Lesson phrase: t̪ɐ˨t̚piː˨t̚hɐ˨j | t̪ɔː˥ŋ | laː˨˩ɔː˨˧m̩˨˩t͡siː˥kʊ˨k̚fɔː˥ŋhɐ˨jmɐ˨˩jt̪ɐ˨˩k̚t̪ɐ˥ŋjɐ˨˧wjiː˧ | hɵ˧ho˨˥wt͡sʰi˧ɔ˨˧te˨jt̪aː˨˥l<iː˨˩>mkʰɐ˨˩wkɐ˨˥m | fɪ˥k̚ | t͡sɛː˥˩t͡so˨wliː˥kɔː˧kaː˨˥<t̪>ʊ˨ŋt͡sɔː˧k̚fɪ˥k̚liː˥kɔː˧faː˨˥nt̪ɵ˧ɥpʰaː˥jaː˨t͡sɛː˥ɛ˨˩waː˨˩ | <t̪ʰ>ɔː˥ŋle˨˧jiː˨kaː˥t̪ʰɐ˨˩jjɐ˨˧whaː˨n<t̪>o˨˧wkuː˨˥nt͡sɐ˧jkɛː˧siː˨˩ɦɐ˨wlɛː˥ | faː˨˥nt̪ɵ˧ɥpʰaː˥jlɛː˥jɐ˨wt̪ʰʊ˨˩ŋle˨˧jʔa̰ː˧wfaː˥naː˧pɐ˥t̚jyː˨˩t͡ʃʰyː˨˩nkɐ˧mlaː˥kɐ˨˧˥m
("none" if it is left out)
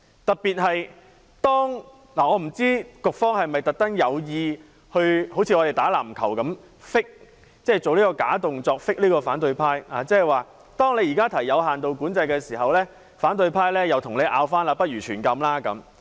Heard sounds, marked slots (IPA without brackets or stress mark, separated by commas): aː˨˩, t̪, t̪, t̪